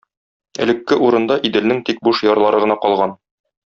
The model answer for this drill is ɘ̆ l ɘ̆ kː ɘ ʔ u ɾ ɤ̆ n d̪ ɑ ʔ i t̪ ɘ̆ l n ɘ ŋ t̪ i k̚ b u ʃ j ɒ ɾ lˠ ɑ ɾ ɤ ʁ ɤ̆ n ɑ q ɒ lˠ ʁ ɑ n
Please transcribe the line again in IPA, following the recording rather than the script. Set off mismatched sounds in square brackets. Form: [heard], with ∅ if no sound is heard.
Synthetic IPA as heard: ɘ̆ l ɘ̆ kː ɘ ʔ u ɾ ɤ̆ n d̪ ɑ ʔ i [d̪] ɘ̆ l n ɘ ŋ t̪ i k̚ b u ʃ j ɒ ɾ lˠ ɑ ɾ ɤ ʁ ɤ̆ n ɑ q ɒ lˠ ʁ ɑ n